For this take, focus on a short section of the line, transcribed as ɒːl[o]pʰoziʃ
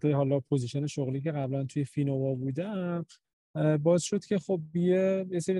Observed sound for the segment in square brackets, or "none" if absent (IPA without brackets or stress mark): ɒ